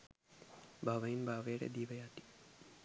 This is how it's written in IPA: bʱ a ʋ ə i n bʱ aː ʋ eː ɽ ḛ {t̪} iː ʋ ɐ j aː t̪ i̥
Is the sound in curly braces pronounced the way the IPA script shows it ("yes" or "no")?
no